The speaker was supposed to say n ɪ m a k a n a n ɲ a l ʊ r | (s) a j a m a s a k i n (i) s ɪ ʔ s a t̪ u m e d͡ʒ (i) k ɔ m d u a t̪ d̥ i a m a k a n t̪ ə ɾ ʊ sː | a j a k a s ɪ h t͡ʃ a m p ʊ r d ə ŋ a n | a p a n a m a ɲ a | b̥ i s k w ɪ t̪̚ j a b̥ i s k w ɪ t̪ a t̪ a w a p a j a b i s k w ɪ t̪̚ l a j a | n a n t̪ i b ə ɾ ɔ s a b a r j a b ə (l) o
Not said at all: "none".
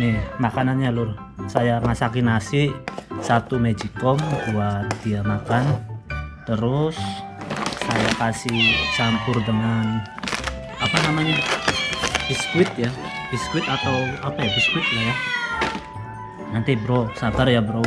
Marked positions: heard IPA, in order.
s, a, i, ɾ

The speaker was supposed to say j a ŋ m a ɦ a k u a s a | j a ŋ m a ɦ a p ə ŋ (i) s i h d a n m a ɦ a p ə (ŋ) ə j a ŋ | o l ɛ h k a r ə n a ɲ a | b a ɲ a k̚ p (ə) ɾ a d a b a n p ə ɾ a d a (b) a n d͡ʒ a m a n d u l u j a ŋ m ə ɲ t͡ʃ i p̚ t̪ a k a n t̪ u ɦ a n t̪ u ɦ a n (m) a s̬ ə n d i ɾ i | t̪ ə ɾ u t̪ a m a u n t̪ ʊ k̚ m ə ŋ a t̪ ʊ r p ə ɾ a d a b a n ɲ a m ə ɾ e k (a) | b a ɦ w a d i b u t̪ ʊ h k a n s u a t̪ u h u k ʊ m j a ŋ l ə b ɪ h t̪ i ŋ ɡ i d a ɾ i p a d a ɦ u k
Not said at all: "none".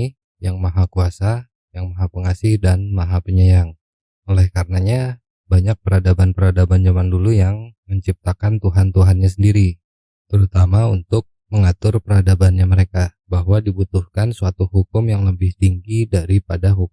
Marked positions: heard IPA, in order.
a, ɲ, ə, b, ɲ, a

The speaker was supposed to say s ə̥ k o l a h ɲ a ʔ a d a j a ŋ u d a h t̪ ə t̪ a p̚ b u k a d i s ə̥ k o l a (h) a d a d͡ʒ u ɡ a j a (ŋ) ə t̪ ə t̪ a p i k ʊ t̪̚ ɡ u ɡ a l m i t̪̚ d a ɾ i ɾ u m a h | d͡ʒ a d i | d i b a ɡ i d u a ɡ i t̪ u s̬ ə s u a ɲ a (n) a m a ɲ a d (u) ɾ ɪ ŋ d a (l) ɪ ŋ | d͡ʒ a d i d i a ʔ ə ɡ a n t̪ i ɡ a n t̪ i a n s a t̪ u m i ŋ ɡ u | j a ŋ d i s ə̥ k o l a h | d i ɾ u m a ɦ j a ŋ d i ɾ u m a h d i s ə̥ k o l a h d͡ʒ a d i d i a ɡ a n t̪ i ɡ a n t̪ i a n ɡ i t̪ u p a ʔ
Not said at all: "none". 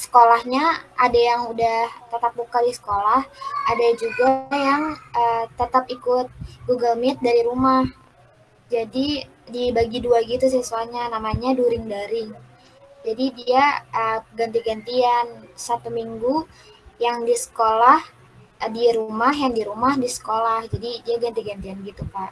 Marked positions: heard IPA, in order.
h, ŋ, n, u, ɾ

